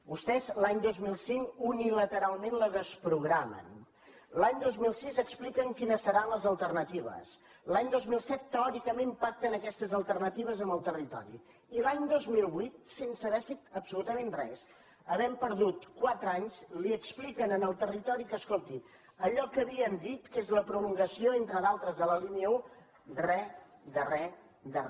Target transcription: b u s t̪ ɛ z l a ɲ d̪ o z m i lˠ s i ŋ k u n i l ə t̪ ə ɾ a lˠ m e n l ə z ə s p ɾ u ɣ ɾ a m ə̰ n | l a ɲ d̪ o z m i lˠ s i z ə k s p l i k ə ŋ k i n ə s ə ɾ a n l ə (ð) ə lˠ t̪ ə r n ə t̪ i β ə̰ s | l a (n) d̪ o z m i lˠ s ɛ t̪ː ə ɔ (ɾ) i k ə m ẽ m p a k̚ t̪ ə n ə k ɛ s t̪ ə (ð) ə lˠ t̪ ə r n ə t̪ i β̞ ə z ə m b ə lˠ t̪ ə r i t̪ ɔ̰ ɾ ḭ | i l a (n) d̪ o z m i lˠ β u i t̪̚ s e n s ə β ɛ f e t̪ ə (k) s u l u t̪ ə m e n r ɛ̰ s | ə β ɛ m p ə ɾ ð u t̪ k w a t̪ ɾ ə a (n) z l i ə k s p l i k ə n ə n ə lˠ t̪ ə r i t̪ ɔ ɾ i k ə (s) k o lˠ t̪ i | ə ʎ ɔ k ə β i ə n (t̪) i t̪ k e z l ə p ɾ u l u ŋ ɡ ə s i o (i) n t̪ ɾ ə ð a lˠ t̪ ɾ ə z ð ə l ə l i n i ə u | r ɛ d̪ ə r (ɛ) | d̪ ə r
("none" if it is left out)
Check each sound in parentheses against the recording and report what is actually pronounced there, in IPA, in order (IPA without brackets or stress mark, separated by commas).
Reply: z, ɲ, ɾ, z, ɲ, p, ɲ, s, d̪, e, ɛ